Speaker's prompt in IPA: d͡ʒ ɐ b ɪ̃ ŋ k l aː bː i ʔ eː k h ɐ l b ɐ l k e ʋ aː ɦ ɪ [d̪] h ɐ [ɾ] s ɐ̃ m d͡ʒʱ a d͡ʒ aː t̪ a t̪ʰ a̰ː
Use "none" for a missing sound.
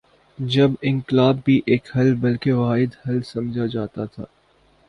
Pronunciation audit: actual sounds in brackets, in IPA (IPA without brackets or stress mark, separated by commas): d̪, l